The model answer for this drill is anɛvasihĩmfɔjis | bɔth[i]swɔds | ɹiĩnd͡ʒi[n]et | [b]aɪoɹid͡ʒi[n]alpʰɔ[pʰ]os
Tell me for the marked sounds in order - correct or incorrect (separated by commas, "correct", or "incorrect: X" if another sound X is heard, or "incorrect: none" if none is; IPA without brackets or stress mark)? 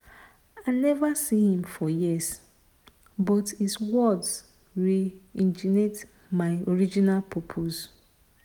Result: correct, correct, incorrect: m, correct, correct